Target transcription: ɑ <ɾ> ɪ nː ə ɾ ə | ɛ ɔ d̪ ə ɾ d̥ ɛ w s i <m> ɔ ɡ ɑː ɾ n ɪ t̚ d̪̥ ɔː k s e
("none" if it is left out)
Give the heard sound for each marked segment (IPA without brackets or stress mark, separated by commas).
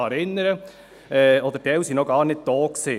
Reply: ɾ, n